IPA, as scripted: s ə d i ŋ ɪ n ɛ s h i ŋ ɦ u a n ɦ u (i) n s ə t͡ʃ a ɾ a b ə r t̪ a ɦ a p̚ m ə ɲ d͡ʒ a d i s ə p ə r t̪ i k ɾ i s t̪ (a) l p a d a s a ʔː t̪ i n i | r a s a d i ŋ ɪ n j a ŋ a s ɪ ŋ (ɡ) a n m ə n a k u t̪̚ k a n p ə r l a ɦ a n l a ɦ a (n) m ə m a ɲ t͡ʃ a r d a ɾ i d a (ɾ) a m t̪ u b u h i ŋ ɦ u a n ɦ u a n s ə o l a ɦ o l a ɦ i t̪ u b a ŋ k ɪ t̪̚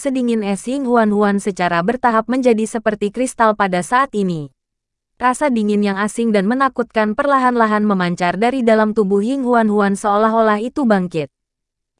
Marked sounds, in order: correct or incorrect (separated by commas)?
incorrect, correct, incorrect, correct, incorrect